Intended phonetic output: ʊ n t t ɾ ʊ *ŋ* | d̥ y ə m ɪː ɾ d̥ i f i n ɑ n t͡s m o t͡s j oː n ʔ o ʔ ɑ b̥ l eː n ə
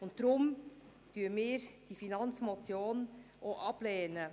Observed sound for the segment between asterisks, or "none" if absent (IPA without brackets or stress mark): m